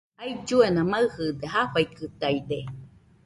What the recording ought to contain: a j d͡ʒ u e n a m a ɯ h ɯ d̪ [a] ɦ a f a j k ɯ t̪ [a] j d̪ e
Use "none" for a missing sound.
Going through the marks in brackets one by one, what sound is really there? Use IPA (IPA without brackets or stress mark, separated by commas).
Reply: e, a